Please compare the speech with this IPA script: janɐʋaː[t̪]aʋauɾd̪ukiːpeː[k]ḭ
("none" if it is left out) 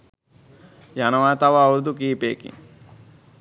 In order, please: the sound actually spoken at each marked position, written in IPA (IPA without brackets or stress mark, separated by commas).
t̪, k